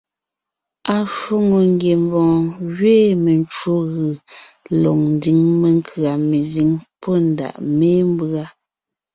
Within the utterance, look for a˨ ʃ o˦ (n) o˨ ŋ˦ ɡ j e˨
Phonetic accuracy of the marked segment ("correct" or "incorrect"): incorrect